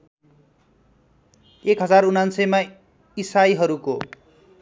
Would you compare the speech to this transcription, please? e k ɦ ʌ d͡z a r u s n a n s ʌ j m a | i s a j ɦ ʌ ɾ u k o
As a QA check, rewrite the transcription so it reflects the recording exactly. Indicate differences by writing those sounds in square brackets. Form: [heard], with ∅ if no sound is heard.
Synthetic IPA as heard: e k ɦ ʌ d͡z a r u [∅] n a n s ʌ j m a | i s a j ɦ ʌ ɾ u k o